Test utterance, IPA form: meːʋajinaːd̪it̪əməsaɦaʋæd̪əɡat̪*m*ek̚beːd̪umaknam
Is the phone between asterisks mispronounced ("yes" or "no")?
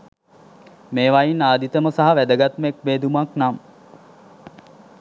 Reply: no